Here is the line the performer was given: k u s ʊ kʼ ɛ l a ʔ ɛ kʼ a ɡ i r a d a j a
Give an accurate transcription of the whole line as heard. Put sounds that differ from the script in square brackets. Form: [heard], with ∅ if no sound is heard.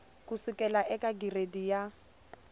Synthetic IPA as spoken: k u s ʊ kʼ ɛ l a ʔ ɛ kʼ a ɡ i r [e] d [i] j a